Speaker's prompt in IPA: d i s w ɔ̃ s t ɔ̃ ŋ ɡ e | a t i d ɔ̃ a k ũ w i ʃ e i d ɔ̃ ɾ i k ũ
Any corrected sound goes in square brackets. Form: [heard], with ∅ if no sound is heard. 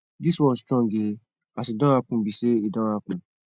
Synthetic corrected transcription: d i s w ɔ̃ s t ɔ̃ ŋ ɡ e | a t i d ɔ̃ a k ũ [b] i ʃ e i d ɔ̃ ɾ [a] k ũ